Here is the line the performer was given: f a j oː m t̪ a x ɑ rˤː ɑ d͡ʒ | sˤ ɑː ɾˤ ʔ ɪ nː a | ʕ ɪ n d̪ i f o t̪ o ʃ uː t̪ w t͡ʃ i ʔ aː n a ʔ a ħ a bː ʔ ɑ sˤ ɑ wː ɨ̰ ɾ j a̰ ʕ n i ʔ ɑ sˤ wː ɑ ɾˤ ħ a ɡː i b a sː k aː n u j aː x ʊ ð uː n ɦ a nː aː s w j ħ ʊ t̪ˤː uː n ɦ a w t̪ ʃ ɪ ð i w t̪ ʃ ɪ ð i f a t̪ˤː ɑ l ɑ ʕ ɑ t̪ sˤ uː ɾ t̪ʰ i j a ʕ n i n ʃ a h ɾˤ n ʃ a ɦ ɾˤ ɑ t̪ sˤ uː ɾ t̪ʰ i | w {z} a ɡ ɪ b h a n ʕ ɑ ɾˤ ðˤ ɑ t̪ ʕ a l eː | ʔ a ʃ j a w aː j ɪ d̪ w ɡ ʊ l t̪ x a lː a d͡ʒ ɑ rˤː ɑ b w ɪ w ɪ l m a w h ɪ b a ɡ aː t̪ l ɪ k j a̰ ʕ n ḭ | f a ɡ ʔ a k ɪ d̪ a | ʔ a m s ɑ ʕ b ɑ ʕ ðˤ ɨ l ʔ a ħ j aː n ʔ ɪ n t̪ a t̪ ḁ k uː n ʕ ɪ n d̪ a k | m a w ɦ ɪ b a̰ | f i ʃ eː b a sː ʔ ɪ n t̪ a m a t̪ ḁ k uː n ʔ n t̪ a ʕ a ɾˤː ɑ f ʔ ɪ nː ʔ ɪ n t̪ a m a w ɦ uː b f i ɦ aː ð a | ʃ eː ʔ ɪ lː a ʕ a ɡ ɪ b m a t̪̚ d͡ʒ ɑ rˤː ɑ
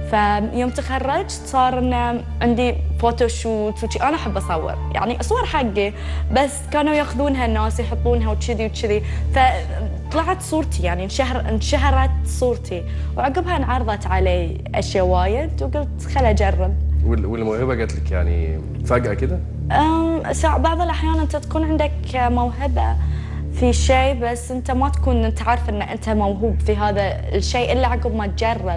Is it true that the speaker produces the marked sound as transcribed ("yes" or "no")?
no